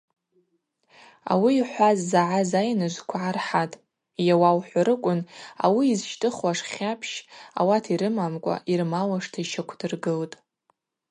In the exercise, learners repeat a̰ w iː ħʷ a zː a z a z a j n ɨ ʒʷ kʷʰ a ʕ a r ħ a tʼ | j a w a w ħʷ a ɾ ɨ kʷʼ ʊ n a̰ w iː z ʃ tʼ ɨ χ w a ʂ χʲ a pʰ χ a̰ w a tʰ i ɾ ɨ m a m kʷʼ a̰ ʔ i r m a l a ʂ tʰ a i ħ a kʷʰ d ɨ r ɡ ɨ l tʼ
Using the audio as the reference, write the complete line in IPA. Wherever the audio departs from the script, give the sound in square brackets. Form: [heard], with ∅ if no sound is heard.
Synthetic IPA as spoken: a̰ w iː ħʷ a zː a [ʕ] a z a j n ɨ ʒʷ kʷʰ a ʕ a r ħ a tʼ | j a w a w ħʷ a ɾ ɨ kʷʼ ʊ n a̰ w iː z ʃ tʼ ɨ χ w a ʂ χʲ a pʰ [ʃ] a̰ w a tʰ i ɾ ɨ m a m kʷʼ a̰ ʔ i r m a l a ʂ tʰ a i [ʃ] a kʷʰ d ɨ r ɡ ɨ l tʼ